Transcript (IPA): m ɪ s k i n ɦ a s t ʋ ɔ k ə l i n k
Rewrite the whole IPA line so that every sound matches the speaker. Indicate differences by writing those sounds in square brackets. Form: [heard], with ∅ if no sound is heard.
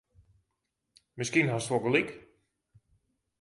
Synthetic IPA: m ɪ s k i n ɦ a s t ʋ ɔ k ə l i [∅] k